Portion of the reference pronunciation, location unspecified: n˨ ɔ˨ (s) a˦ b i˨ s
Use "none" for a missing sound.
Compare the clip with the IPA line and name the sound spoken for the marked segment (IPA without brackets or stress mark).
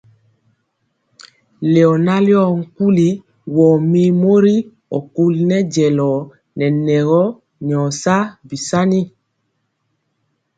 s